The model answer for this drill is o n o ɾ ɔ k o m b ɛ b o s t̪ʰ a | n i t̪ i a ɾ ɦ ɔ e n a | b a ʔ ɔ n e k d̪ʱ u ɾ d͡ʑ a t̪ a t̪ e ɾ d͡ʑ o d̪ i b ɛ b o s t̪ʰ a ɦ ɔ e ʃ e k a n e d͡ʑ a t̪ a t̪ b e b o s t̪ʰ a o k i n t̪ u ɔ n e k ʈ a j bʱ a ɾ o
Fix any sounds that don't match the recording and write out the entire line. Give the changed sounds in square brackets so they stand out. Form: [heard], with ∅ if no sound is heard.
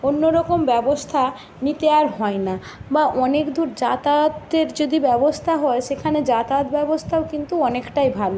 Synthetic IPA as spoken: o [nː] o ɾ ɔ k o m b ɛ b o s t̪ʰ a | n i t̪ [e] a ɾ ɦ ɔ e n a | b a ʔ ɔ n e k d̪ʱ u ɾ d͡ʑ a t̪ a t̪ e ɾ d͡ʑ o d̪ i b ɛ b o s t̪ʰ a ɦ ɔ e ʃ e [kʰ] a n e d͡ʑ a t̪ a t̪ b [ɛ] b o s t̪ʰ a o k i n t̪ u ɔ n e k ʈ a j bʱ a [l] o

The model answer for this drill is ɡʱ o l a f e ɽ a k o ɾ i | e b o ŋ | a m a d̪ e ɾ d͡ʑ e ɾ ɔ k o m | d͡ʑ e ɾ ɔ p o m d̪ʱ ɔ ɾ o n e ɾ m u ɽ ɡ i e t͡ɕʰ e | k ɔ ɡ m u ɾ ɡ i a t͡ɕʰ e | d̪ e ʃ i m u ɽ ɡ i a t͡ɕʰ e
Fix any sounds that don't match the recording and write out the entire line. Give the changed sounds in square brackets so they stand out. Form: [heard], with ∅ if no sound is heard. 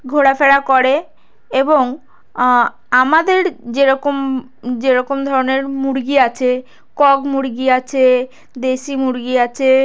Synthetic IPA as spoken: ɡʱ o [ɽ] a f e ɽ a k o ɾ [e] | e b o ŋ | a m a d̪ e ɾ d͡ʑ e ɾ ɔ k o m | d͡ʑ e ɾ ɔ [k] o m d̪ʱ ɔ ɾ o n e ɾ m u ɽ ɡ i [a] t͡ɕʰ e | k ɔ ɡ m u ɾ ɡ i a t͡ɕʰ e | d̪ e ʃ i m u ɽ ɡ i a t͡ɕʰ e

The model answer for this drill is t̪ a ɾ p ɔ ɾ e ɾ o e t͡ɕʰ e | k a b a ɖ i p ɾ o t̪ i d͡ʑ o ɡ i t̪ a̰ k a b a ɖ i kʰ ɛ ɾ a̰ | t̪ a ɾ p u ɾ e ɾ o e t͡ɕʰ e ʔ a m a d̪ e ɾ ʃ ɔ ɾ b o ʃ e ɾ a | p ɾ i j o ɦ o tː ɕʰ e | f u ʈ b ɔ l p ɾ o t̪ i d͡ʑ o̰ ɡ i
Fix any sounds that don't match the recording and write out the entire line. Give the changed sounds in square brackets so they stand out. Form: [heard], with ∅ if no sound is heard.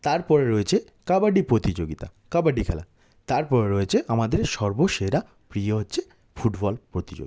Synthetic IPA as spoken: t̪ a ɾ p ɔ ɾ e ɾ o e t͡ɕʰ e | k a b a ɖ i p ɾ o t̪ i d͡ʑ o ɡ i t̪ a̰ k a b a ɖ i kʰ ɛ [l] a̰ | t̪ a ɾ p [ɔ] ɾ e ɾ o e t͡ɕʰ e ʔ a m a d̪ e ɾ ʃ ɔ ɾ b o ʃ e ɾ a | p ɾ i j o ɦ o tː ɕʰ e | f u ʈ b ɔ l p ɾ o t̪ i d͡ʑ o̰ ɡ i

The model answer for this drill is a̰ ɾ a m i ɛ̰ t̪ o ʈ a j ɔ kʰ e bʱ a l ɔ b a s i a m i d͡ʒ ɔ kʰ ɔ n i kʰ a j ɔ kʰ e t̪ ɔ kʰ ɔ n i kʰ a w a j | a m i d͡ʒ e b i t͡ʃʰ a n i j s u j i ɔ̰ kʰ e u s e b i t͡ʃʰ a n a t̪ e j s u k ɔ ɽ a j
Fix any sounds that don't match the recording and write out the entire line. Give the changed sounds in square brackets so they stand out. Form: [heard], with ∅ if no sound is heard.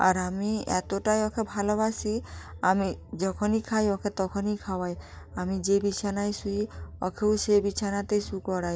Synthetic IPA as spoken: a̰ ɾ a m i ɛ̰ t̪ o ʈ a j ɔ kʰ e bʱ a l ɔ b a s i a m i d͡ʒ ɔ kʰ ɔ n i kʰ a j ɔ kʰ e t̪ ɔ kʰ ɔ n i kʰ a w a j | a m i d͡ʒ e b i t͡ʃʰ a n [a] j s u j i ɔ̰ kʰ e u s e b i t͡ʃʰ a n a t̪ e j s u k ɔ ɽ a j

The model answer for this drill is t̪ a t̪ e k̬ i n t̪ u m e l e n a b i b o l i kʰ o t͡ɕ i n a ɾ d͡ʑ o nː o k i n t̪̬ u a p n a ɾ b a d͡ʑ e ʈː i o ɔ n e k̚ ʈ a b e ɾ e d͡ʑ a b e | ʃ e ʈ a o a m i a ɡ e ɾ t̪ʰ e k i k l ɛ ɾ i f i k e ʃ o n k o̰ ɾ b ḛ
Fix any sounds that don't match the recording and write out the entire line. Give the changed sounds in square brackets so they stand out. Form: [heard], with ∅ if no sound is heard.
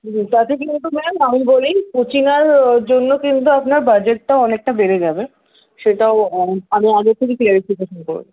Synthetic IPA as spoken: t̪ a t̪ e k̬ i n t̪ u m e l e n a [m] i b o l i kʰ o t͡ɕ i n a ɾ d͡ʑ o nː o k i n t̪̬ u a p n a ɾ b a d͡ʑ e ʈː [a] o ɔ n e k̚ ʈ a b e ɾ e d͡ʑ a b e | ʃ e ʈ a o a m i a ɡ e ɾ t̪ʰ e k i k l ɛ ɾ i f i k e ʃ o n k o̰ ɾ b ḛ

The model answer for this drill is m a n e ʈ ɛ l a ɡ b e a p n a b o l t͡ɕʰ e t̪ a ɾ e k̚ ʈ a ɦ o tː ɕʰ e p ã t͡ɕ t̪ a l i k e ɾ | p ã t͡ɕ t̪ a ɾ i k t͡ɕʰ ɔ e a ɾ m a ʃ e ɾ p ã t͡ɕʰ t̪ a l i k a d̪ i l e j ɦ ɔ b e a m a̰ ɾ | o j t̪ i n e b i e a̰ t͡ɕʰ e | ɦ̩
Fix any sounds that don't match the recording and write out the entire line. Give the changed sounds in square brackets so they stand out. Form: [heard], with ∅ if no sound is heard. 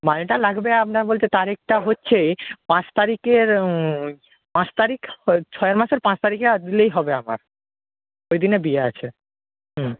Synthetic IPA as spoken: m a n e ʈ [a] l a ɡ b e a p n a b o l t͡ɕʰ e t̪ a ɾ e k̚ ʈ a ɦ o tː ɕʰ e p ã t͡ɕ t̪ a [ɾ] i k e ɾ | p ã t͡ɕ t̪ a ɾ i k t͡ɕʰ ɔ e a ɾ m a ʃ e ɾ p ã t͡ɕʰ t̪ a [ɾ] i k a d̪ i l e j ɦ ɔ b e a m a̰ ɾ | o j [d̪] i n e b i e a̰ t͡ɕʰ e | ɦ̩

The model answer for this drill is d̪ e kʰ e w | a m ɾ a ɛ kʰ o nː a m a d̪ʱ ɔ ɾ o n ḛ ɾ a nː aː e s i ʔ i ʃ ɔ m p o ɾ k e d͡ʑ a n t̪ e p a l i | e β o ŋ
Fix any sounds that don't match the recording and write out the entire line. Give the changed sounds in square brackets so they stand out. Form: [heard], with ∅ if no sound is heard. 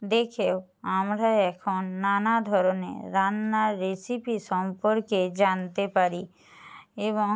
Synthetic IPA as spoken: d̪ e kʰ e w | a m ɾ a ɛ kʰ o nː a [n] a d̪ʱ ɔ ɾ o n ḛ ɾ a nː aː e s i [p] i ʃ ɔ m p o ɾ k e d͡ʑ a n t̪ e p a [ɾ] i | e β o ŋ

